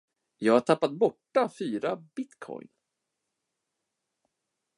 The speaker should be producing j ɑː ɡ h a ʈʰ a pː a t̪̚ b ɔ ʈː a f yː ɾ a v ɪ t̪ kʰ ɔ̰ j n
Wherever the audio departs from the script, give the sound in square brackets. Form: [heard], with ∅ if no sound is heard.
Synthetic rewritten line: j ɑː ɡ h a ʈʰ a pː a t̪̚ b ɔ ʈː a f yː ɾ a [b] ɪ t̪ kʰ ɔ̰ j n